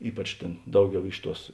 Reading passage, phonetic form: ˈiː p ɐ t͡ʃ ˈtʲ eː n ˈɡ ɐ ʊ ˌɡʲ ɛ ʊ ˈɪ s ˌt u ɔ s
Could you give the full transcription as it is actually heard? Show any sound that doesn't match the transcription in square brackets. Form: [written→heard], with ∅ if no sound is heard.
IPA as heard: ˈiː p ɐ t͡ʃ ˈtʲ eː n [ˈɡ→ˈd] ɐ ʊ ˌɡʲ ɛ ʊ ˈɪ [s→ʃ] ˌt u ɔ s